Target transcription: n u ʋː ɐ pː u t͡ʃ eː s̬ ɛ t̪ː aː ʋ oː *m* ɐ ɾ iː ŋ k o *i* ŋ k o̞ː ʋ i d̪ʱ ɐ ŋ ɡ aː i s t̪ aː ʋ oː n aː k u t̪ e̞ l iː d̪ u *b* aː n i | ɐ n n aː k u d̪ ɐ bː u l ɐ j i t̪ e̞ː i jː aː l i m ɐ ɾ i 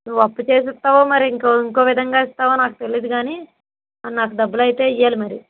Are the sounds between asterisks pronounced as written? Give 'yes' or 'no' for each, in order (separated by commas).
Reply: yes, yes, no